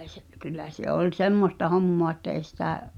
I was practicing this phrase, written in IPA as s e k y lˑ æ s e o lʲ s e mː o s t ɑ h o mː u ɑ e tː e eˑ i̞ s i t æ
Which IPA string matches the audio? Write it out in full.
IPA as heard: s e k y lˑ æ s e o lʲ s e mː o s t ɑ h o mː o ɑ e tː æ eˑ i̞ s i t æ